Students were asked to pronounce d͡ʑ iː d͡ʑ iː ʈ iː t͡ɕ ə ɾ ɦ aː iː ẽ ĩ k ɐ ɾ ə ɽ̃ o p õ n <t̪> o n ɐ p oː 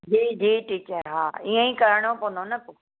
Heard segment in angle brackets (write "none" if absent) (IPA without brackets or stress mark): d̪